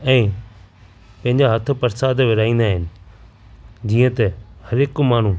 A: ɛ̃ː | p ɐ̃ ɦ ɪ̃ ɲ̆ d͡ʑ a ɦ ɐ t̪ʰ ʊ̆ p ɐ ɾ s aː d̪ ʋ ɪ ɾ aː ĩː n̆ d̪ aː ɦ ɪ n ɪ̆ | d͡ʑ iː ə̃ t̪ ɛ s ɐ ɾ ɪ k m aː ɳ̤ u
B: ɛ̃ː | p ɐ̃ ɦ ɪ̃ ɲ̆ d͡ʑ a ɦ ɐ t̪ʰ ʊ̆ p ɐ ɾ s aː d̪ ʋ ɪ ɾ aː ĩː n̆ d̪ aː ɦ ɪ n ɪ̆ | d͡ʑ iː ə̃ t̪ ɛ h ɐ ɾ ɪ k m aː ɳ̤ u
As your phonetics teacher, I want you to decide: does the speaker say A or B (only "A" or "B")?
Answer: B